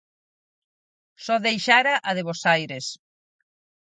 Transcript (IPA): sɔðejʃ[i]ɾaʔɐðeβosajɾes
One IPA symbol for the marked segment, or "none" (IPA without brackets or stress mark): a